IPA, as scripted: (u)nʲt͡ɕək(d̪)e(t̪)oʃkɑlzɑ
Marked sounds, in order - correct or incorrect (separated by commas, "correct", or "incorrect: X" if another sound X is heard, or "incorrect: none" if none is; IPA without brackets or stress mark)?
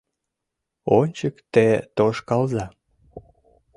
incorrect: o, incorrect: t̪, correct